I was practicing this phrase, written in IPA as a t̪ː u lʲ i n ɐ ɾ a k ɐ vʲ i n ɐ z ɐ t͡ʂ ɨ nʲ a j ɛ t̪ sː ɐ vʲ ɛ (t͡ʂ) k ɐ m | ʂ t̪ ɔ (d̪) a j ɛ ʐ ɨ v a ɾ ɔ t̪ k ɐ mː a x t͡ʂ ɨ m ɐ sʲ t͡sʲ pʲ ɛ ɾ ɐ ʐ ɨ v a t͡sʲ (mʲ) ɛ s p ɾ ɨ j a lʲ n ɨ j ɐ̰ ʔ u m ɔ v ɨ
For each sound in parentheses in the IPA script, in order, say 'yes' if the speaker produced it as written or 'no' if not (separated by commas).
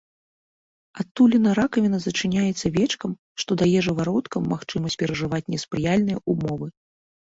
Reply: yes, yes, no